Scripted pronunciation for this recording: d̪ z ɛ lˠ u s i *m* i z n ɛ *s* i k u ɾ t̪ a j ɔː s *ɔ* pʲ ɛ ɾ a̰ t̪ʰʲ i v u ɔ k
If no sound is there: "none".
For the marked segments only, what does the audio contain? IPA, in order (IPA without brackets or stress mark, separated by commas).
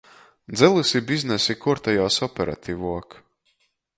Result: b, s, ɔ